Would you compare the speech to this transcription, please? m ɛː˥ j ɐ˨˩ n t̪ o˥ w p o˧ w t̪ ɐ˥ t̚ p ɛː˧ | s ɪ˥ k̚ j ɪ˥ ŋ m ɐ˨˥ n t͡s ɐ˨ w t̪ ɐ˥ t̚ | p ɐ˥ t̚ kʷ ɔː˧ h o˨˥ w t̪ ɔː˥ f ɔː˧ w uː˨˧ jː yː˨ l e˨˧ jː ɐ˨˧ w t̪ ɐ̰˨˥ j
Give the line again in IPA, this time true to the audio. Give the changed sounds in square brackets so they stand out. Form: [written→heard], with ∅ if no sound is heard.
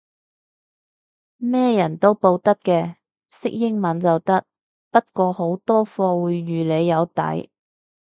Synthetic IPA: m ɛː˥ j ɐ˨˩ n t̪ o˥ w p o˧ w t̪ ɐ˥ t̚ [p→k] ɛː˧ | s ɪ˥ k̚ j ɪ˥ ŋ m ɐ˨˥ n t͡s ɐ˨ w t̪ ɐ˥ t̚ | p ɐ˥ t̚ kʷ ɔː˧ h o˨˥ w t̪ ɔː˥ f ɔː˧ w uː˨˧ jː yː˨ l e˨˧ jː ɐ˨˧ w t̪ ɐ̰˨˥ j